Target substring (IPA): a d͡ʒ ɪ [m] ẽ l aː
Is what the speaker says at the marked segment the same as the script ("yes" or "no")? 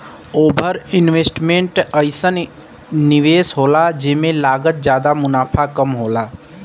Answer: yes